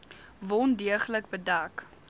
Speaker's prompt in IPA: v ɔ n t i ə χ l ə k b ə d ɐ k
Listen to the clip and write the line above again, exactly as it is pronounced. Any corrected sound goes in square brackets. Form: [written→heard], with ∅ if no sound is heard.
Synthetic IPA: v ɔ n [t→d] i ə χ l ə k b ə d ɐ k